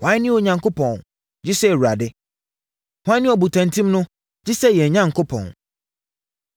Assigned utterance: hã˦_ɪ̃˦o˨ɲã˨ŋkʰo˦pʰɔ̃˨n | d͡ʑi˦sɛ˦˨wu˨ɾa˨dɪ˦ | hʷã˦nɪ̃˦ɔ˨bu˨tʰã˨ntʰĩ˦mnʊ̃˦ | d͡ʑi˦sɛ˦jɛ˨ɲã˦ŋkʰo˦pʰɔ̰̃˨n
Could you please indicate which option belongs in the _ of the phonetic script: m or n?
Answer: n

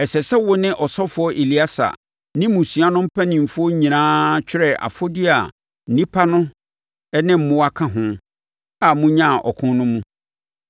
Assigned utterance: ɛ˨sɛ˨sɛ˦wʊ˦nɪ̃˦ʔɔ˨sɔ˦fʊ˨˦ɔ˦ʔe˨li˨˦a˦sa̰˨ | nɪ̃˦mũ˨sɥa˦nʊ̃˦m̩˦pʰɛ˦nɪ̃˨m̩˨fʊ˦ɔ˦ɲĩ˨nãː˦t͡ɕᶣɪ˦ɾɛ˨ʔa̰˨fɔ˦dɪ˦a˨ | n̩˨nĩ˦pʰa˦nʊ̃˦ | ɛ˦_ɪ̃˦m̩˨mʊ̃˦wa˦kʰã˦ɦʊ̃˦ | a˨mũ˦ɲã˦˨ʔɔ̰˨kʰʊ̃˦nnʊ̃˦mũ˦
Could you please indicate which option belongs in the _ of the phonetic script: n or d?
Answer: n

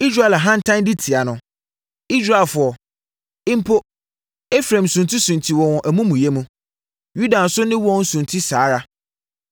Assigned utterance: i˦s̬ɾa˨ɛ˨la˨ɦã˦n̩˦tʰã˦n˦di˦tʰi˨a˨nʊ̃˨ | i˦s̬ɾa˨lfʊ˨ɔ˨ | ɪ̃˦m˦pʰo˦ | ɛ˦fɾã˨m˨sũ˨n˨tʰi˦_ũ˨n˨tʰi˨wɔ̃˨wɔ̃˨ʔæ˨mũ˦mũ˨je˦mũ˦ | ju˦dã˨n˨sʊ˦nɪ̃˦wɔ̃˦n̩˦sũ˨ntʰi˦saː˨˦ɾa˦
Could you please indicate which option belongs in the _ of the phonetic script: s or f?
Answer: s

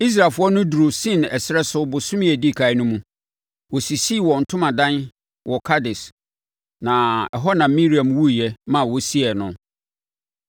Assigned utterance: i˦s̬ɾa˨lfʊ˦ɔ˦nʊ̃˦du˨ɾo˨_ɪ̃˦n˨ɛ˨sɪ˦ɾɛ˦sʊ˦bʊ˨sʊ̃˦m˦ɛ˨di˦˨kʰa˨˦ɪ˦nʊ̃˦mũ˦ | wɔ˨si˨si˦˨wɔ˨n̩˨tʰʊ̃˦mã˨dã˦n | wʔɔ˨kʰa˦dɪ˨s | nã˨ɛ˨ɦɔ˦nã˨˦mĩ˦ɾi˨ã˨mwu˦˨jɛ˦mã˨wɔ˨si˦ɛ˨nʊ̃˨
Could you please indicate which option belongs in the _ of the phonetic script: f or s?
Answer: s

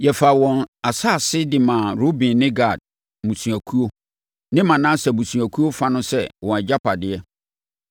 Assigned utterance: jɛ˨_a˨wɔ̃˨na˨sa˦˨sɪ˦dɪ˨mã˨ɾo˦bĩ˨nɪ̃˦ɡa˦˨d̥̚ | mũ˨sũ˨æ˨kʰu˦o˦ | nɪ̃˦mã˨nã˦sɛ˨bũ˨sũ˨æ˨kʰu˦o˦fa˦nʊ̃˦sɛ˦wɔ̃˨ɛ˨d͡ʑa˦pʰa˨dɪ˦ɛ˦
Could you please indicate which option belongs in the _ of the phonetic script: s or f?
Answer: f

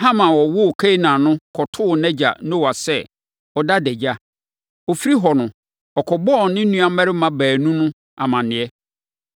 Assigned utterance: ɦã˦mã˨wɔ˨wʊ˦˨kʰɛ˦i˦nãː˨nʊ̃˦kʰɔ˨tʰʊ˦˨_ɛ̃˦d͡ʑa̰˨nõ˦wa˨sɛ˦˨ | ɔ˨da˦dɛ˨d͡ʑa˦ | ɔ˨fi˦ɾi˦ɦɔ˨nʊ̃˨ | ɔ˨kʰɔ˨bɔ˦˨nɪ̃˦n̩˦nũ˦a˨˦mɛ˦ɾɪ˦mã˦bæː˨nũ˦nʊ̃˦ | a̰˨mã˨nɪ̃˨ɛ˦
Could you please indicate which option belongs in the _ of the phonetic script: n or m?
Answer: n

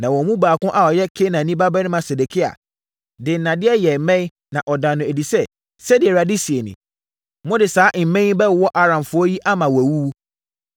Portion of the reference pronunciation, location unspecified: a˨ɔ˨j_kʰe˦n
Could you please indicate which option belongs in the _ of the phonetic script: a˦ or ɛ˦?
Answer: ɛ˦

